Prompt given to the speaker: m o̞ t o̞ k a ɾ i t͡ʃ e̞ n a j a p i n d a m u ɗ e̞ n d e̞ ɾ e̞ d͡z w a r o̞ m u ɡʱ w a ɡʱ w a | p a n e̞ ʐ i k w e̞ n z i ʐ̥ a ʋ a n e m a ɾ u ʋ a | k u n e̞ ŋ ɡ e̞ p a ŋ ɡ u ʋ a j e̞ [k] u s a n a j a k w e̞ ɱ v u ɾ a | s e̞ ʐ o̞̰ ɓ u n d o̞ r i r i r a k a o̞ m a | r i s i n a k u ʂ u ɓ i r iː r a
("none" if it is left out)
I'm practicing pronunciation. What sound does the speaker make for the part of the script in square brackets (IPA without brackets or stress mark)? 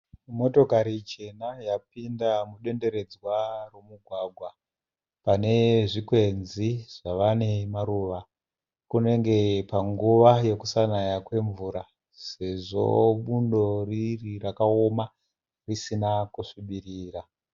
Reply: k